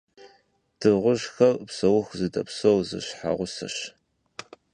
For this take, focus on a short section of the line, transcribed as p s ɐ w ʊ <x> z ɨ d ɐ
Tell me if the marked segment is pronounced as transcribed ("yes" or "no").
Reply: yes